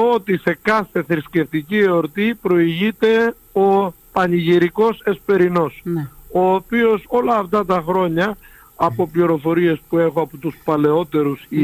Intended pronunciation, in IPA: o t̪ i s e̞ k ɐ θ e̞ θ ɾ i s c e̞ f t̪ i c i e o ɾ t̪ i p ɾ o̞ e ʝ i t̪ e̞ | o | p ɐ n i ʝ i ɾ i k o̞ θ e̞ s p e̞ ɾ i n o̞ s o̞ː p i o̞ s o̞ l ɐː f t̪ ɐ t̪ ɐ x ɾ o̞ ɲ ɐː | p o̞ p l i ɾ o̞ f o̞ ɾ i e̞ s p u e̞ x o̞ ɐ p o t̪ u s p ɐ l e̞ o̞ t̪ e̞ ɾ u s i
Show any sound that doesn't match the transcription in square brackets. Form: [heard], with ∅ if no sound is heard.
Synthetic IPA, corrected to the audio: o t̪ i s e̞ k ɐ θ e̞ θ ɾ i s c e̞ f t̪ i c i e o ɾ t̪ i p ɾ o̞ [i] ʝ i t̪ e̞ | o | p ɐ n i ʝ i ɾ i k o̞ [s] e̞ s p e̞ ɾ i n o̞ s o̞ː p i o̞ s o̞ l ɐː f t̪ ɐ t̪ ɐ x ɾ o̞ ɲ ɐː | p o̞ p l i ɾ o̞ f o̞ ɾ i e̞ s p u e̞ x o̞ ɐ p o t̪ u s p ɐ l e̞ o̞ t̪ e̞ ɾ u s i